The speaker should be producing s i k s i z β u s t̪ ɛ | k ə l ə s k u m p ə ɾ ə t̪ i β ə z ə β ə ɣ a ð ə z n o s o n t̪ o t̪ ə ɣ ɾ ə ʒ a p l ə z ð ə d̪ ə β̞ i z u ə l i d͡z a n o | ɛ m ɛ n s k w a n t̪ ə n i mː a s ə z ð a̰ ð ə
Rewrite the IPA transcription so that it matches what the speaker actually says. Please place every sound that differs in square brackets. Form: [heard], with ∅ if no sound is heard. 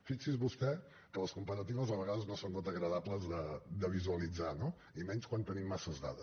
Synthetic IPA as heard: [f] i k s i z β u s t̪ ɛ | k ə l ə s k u m p ə ɾ ə t̪ i β ə z ə β ə ɣ a ð ə z n o s o n t̪ o t̪ ə ɣ ɾ ə [ð] a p l ə z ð ə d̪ ə β̞ i z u ə l i d͡z a n o | [i] m ɛ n s k w a n t̪ ə n i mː a s ə z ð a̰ ð ə